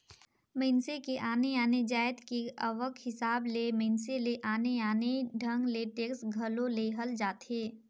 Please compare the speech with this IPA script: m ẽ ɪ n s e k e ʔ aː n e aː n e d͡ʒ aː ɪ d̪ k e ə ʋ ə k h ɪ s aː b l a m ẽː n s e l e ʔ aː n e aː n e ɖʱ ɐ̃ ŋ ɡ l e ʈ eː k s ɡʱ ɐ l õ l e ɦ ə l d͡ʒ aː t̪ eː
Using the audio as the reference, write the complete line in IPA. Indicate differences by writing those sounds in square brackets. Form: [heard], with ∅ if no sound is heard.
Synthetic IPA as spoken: m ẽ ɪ n s e k e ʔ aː n e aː n e d͡ʒ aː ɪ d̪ k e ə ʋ ə k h ɪ s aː b l [e] m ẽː n s e l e ʔ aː n e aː n e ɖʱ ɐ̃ ŋ ɡ l e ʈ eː k s ɡʱ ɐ l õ l e ɦ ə l d͡ʒ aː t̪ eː